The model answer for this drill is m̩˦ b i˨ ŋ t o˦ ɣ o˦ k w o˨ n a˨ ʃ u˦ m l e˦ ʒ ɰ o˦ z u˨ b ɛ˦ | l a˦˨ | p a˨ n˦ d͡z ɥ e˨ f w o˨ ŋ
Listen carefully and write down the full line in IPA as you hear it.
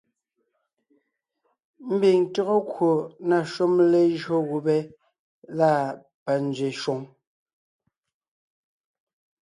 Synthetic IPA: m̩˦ b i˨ ŋ t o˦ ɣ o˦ k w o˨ n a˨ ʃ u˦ m l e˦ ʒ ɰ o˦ ɣ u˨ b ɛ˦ | l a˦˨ | p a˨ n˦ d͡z ɥ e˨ ʃ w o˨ ŋ

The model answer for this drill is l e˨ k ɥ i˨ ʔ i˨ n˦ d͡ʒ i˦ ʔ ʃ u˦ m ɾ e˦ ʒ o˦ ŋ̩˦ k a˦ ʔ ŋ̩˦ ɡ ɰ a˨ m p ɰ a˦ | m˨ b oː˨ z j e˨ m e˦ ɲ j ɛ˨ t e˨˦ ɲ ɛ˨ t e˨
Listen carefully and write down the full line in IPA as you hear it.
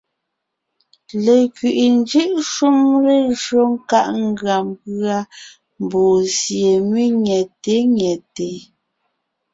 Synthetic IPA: l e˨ k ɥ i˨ ʔ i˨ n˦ d͡ʒ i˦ ʔ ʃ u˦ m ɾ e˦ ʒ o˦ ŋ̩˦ k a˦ ʔ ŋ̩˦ ɡ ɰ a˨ m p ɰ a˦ | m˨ b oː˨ z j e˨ m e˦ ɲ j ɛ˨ t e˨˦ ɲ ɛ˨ t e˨

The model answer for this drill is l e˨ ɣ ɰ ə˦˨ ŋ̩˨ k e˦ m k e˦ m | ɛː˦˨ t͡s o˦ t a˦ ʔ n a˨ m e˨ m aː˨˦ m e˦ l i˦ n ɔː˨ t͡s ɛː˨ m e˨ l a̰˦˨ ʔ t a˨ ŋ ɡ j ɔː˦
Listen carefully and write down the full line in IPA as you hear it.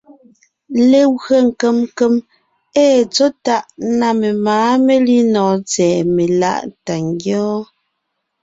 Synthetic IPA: l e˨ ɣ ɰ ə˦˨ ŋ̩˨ k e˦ m k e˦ m | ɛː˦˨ t͡s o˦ t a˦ ʔ n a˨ m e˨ m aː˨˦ m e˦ l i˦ n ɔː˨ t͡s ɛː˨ m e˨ l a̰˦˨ ʔ t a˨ ŋ ɡ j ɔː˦

